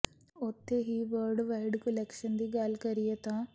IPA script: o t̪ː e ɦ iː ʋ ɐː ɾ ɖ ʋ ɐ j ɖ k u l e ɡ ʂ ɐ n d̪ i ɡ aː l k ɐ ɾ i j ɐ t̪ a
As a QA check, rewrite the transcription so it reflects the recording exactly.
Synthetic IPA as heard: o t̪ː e ɦ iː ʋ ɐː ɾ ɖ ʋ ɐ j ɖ k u l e k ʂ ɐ n d̪ i ɡ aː l k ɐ ɾ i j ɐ t̪ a